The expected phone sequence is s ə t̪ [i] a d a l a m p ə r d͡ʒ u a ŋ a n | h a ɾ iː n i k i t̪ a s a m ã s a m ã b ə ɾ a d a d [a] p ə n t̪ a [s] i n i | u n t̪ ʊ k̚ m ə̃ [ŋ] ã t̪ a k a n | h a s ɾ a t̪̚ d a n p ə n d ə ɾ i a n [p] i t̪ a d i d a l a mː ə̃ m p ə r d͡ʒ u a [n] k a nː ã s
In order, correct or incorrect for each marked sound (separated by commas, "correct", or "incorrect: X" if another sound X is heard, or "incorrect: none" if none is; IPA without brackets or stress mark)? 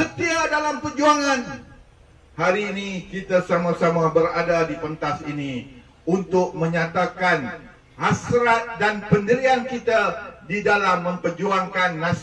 correct, incorrect: i, correct, incorrect: ɲ, incorrect: k, incorrect: ŋ